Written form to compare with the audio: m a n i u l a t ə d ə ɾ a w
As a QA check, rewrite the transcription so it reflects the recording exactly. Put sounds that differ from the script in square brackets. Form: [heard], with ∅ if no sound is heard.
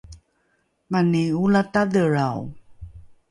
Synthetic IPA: m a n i u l a t [a] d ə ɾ a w

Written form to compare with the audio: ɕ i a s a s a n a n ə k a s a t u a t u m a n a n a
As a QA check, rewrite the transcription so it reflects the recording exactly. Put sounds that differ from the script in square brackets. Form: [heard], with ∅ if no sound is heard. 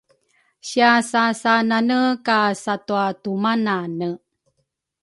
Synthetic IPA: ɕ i a s a s a n a n ə k a s a t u a t u m a n a n [ə]

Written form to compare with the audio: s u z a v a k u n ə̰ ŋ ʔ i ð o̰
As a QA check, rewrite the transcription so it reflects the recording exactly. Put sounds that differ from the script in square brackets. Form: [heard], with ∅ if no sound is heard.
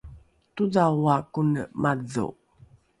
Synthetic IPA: [t] u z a [w] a k u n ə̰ [m] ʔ [a] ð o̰

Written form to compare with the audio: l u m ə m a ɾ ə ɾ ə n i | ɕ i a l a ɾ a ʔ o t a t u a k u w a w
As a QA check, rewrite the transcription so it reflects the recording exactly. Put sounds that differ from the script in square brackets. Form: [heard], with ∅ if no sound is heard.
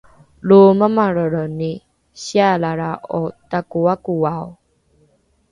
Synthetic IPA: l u m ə m a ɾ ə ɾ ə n i | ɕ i a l a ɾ a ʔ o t a [k] u a k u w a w

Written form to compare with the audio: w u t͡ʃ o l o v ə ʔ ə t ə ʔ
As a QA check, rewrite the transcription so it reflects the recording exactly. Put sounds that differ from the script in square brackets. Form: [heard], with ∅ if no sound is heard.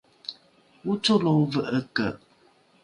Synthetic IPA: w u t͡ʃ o l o v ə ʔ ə [k] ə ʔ

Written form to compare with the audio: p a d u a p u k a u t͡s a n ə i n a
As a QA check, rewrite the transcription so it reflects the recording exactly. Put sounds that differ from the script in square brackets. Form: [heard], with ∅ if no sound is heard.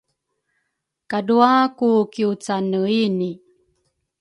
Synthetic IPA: [k] a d u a [k] u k [i] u t͡s a n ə i n [i]

